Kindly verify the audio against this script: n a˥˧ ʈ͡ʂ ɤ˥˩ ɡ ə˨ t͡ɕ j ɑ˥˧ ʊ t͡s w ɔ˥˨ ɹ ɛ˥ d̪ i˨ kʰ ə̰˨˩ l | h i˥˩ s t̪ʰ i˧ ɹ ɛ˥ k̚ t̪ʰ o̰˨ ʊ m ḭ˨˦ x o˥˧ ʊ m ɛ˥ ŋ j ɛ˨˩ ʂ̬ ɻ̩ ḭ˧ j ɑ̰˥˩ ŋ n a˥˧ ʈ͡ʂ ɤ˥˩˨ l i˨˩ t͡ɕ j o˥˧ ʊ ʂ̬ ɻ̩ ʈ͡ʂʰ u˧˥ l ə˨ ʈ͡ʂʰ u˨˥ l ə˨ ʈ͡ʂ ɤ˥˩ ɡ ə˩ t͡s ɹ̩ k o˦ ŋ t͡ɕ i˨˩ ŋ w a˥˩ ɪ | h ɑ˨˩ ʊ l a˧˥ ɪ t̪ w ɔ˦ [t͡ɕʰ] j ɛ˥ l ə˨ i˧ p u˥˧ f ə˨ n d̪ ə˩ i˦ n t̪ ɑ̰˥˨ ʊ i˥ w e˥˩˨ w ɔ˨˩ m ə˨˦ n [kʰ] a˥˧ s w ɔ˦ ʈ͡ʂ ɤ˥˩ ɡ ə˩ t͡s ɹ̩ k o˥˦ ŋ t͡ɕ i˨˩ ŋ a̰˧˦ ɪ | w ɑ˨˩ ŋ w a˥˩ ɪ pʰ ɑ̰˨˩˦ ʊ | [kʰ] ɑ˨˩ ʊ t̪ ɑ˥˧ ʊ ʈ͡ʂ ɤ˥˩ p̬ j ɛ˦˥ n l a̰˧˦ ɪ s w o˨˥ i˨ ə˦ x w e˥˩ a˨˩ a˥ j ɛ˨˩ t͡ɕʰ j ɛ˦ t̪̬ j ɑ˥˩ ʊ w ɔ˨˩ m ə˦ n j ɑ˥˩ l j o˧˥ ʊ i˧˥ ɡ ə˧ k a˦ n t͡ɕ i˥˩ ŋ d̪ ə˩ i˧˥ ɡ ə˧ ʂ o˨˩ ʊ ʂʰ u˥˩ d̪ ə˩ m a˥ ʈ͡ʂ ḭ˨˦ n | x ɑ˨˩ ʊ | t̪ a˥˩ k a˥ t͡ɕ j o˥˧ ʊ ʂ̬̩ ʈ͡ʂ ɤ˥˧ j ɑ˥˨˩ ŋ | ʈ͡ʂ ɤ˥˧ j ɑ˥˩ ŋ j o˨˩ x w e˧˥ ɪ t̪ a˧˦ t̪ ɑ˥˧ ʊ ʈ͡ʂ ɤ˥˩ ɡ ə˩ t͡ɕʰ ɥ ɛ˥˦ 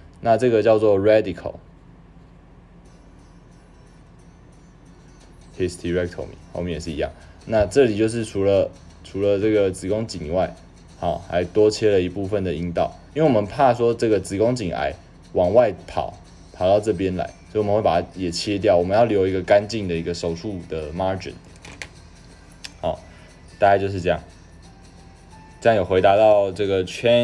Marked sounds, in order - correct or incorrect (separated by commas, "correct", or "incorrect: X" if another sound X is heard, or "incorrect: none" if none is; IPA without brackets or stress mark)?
correct, incorrect: pʰ, incorrect: pʰ